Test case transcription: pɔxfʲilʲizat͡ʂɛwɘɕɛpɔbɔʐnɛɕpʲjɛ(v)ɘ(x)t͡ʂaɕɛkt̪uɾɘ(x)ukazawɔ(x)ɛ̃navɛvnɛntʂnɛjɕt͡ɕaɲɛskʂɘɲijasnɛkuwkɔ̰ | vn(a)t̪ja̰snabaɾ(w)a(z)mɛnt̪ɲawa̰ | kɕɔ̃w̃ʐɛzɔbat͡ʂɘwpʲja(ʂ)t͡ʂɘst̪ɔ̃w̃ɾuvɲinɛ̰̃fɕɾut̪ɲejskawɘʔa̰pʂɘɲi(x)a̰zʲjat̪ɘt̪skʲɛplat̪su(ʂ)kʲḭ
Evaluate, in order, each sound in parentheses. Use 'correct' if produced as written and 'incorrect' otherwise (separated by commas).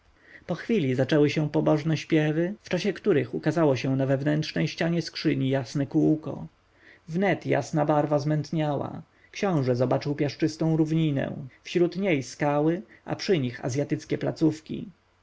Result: correct, incorrect, correct, incorrect, incorrect, incorrect, correct, correct, correct, incorrect